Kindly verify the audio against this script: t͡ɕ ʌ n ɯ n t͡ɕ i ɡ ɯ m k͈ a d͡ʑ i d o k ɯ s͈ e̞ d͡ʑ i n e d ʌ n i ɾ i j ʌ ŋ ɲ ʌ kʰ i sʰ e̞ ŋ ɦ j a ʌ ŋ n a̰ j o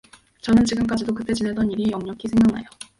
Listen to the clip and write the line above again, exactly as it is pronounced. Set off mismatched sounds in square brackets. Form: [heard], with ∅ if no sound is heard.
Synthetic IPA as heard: t͡ɕ ʌ n ɯ n t͡ɕ i ɡ ɯ m k͈ a d͡ʑ i d o k ɯ [t͈] e̞ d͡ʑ i n e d ʌ n i ɾ i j ʌ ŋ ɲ ʌ kʰ i sʰ e̞ ŋ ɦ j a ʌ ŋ n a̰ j o